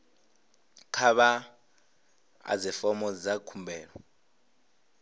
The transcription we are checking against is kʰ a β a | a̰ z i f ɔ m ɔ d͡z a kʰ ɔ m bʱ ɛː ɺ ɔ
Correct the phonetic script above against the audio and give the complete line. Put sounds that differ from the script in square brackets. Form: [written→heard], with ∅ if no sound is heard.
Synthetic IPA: kʰ a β a | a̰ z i f ɔ m ɔ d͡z a kʰ [ɔ→u] m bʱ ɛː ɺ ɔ